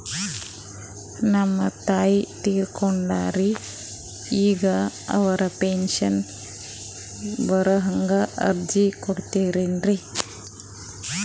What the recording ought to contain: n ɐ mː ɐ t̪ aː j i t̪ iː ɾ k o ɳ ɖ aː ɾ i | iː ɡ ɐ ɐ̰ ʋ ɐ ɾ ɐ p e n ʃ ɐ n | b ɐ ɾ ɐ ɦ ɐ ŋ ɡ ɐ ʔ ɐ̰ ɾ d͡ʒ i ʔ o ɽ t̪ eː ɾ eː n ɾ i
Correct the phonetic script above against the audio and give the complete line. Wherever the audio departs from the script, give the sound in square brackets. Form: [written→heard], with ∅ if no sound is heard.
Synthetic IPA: n ɐ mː ɐ t̪ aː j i t̪ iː ɾ k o ɳ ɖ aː ɾ i | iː ɡ ɐ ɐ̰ ʋ ɐ ɾ ɐ p e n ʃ ɐ n | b ɐ ɾ ɐ ɦ ɐ ŋ ɡ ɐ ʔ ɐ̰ ɾ d͡ʒ i [ʔ→k] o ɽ t̪ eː ɾ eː n ɾ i

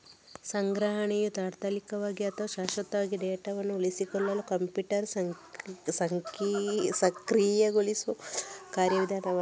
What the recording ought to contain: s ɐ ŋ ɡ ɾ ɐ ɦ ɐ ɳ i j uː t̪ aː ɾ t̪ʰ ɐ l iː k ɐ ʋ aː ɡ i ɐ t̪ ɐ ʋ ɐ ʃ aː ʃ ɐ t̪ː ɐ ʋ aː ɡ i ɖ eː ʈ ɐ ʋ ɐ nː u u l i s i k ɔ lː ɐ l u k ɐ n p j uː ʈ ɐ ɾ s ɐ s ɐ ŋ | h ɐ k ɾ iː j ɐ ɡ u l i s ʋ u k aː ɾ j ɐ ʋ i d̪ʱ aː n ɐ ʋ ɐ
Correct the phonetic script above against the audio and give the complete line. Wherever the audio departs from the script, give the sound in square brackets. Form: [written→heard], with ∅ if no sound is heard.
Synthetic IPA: s ɐ ŋ ɡ ɾ ɐ ɦ ɐ ɳ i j [uː→u] t̪ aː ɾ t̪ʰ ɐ l [iː→i] k ɐ ʋ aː ɡ i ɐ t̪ ɐ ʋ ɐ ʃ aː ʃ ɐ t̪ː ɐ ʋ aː ɡ i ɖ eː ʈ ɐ ʋ ɐ nː u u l i s i k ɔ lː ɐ l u k ɐ [n→m] p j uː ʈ ɐ ɾ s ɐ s ɐ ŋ | [h→s] ɐ k ɾ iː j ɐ ɡ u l i s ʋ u k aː ɾ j ɐ ʋ i d̪ʱ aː n ɐ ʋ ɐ

